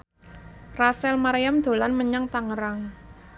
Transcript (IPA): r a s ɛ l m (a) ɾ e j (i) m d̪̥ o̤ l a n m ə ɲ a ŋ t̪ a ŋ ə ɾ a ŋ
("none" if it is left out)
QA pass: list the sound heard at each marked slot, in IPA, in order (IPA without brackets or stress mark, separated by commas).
a, a